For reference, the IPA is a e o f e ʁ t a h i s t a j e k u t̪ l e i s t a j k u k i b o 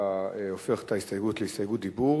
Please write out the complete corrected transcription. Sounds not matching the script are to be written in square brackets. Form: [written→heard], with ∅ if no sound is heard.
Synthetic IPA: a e o f e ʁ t a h i s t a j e [k→ɡ] u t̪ l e i s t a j [k→ɡ] u [k→t] i b [o→u]